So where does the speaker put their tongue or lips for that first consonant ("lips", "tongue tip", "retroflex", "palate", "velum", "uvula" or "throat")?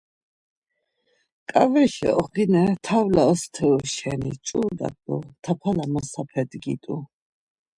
velum